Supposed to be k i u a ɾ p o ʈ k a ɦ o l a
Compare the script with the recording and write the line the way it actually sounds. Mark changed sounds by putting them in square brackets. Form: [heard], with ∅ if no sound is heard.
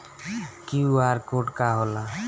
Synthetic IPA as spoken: k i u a ɾ [k] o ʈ k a ɦ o l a